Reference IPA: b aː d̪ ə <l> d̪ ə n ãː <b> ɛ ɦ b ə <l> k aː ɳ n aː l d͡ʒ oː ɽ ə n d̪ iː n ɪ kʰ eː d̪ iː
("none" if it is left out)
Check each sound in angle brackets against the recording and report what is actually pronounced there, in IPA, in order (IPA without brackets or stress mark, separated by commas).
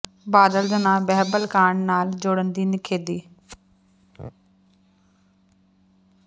l, b, l